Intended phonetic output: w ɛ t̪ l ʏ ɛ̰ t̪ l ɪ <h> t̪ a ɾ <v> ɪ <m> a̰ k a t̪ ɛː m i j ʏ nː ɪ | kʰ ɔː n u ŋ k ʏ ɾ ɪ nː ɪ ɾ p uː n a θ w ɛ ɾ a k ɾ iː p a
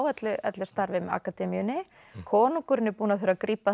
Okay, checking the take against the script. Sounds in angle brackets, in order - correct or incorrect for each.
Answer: incorrect: s, correct, correct

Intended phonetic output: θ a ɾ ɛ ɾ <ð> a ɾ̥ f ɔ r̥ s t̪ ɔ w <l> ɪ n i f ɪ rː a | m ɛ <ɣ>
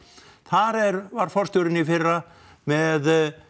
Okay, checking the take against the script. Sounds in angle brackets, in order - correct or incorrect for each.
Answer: incorrect: v, incorrect: ɾ, incorrect: ð

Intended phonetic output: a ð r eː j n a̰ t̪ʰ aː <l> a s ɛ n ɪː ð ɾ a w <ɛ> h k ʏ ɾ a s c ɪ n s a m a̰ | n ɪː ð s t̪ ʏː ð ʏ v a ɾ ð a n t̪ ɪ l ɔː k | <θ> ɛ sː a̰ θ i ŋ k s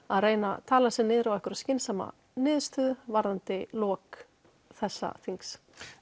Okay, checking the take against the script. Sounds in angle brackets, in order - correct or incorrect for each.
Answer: correct, correct, correct

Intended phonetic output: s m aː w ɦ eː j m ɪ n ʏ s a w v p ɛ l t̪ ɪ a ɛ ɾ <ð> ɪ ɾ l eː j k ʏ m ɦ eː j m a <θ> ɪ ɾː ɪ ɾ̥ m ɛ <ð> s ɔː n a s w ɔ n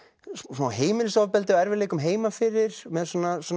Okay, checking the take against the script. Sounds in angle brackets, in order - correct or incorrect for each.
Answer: incorrect: v, incorrect: f, correct

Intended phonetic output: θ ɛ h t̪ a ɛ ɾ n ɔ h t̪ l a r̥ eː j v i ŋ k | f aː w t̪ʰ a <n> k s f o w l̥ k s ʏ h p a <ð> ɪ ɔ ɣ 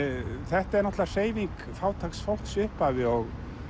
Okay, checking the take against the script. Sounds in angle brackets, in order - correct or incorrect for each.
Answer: incorrect: none, incorrect: v

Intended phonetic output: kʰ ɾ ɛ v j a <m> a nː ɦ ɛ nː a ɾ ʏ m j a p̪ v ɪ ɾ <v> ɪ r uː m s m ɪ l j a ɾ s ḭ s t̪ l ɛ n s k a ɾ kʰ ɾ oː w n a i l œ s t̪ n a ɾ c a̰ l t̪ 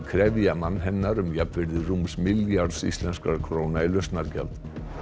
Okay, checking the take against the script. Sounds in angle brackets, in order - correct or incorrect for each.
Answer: correct, incorrect: ð

